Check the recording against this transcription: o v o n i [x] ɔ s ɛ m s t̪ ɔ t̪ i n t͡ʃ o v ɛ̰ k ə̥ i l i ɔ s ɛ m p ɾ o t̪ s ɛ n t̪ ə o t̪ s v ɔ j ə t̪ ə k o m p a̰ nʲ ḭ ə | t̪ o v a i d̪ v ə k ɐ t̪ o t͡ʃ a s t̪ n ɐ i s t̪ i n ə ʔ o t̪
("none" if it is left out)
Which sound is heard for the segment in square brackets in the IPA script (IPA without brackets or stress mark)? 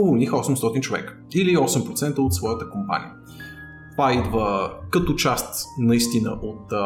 x